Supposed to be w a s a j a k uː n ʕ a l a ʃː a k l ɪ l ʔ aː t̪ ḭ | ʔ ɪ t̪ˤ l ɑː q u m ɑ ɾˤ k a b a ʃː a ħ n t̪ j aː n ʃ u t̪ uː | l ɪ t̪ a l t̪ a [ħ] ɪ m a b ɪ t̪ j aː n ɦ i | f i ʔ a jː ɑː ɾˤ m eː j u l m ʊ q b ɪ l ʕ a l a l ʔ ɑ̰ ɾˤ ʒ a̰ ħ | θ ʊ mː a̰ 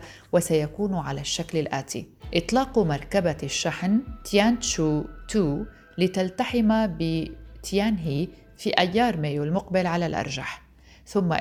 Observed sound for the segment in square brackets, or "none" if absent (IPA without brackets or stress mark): ħ